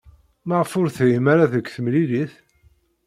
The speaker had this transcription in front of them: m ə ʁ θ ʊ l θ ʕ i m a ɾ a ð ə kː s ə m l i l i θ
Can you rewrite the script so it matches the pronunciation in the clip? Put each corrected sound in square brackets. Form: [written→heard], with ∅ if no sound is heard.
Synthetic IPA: m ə ʁ [θ→f] ʊ [l→ɾ] θ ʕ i m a ɾ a ð ə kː [s→θ] ə m l i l i θ